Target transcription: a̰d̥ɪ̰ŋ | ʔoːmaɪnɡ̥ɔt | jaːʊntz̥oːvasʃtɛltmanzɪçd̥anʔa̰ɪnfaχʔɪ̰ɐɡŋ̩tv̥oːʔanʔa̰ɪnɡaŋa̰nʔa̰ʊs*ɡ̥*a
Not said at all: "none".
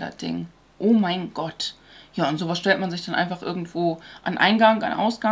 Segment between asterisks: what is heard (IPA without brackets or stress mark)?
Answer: ɡ̥